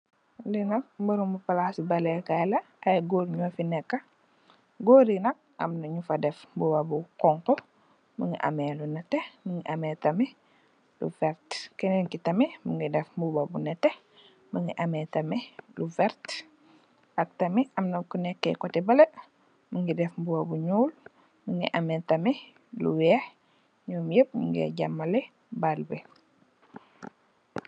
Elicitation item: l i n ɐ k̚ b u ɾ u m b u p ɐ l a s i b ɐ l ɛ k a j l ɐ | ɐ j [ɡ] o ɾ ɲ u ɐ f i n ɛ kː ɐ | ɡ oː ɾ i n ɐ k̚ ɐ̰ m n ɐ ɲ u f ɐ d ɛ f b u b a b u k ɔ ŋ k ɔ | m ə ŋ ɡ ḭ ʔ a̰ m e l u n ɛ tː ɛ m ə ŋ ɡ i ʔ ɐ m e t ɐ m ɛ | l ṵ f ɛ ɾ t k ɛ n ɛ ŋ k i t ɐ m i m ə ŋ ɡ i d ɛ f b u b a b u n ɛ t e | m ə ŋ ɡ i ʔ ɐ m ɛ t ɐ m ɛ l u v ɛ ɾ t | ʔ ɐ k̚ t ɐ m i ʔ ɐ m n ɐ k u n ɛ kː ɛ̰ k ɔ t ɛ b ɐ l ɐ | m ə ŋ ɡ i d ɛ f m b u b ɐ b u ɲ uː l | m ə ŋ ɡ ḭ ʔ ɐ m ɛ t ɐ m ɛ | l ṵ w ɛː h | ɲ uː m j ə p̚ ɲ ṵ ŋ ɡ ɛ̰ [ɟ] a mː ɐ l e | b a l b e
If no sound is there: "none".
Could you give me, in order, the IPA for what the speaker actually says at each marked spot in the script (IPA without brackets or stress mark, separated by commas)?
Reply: ɡ, ɟ